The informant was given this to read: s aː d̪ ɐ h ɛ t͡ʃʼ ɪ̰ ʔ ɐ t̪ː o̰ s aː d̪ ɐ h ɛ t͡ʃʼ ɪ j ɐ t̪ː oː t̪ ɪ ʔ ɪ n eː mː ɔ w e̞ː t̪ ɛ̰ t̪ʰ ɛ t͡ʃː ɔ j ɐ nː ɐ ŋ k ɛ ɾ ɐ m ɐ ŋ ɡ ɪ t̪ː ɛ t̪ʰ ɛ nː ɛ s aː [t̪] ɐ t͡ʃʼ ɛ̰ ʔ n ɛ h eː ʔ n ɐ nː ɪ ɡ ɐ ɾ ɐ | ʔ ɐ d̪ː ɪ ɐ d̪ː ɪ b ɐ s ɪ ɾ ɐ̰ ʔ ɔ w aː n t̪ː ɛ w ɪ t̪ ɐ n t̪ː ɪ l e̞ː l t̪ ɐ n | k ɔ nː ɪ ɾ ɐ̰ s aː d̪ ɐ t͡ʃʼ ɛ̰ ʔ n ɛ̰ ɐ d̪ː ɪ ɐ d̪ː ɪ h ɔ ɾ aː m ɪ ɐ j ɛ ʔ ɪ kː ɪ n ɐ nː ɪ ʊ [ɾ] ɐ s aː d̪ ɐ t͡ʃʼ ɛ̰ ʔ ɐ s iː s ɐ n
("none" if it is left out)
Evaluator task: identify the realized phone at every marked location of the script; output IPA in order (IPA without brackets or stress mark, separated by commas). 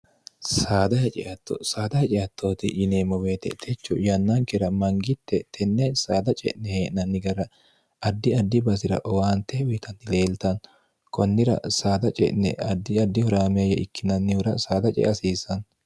d̪, ɾ